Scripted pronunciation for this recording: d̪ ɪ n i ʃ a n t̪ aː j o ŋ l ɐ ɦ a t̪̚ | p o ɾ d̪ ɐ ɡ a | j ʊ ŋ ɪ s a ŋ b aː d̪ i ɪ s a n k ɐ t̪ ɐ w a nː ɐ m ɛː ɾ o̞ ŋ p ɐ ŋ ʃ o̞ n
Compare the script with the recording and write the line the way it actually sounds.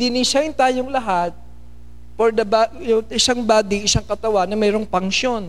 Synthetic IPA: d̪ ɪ n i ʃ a n t̪ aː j o ŋ l ɐ ɦ a t̪̚ | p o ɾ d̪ ɐ b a | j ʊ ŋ ɪ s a ŋ b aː d̪ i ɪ s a ŋ k ɐ t̪ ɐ w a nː ɐ m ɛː ɾ o̞ ŋ p ɐ ŋ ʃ o̞ n